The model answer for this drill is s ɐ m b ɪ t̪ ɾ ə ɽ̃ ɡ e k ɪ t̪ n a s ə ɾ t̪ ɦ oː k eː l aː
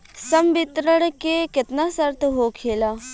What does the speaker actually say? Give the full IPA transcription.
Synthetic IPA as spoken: s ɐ m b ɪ t̪ ɾ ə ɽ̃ k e k ɪ t̪ n a s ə ɾ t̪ ɦ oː kʰ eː l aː